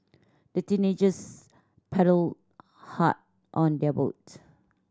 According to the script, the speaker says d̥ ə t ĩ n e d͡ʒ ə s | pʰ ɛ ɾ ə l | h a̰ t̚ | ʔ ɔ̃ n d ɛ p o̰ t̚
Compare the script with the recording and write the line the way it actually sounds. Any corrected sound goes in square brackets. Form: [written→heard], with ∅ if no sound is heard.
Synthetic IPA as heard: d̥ ə t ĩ n e d͡ʒ ə s | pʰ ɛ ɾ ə l | h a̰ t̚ | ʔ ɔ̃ n d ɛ [p→b] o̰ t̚